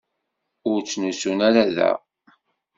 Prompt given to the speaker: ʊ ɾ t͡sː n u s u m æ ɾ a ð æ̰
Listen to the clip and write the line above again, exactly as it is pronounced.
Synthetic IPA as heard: ʊ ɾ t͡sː n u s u n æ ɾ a ð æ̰